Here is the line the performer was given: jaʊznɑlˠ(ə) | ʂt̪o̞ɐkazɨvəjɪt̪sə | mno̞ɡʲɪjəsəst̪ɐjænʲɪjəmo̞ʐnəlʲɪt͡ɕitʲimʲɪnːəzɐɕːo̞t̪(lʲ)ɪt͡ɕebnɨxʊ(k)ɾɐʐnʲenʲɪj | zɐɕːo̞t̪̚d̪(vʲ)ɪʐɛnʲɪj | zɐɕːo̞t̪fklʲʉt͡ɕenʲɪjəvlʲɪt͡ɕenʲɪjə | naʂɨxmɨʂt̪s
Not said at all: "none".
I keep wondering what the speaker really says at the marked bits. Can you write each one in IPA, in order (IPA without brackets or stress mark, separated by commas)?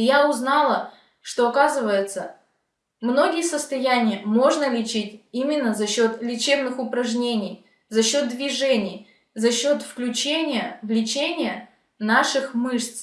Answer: ə, lʲ, p, vʲ